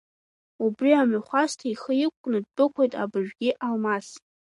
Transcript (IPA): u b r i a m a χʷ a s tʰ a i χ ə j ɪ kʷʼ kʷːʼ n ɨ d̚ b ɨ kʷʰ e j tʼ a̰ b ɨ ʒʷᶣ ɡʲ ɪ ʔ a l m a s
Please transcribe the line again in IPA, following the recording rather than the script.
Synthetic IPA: u b r i a m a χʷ a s tʰ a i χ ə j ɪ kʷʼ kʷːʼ n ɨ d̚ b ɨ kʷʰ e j tʼ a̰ b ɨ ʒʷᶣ ɡʲ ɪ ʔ a l m a s